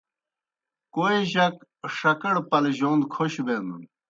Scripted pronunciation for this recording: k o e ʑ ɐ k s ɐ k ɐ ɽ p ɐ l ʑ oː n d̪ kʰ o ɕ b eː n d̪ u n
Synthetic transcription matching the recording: k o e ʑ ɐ k ʂ ɐ k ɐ ɽ p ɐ l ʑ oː n d̪ kʰ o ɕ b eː n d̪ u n

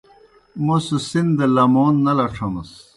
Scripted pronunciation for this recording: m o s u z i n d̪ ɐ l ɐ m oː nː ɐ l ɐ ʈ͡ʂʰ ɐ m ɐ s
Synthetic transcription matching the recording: m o s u s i n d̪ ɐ l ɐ m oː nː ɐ l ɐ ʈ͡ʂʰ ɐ m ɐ s

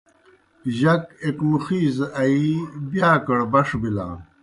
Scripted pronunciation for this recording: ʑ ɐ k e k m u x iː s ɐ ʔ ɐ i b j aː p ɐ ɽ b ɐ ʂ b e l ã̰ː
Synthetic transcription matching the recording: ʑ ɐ k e k m u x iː z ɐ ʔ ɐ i b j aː k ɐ ɽ b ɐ ʂ b i l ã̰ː

